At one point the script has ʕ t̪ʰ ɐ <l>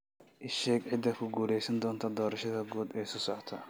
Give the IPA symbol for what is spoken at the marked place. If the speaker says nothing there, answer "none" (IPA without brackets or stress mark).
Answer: none